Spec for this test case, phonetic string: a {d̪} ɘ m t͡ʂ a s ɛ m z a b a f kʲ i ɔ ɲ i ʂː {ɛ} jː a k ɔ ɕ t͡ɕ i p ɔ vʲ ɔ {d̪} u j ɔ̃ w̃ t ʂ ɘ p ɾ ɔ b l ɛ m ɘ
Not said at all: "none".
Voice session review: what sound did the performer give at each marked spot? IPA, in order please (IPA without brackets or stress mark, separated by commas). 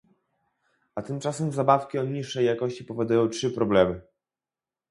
t̪, ɛ, d̪